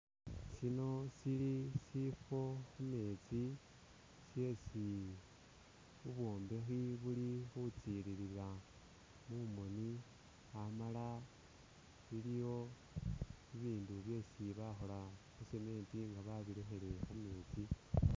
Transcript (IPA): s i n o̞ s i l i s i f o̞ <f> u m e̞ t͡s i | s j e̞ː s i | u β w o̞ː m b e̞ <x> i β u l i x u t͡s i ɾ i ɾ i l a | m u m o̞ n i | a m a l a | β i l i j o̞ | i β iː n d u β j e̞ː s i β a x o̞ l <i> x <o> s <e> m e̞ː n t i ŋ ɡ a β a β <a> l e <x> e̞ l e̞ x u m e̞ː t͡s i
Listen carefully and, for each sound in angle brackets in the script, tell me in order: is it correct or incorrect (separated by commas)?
incorrect, correct, incorrect, incorrect, correct, incorrect, correct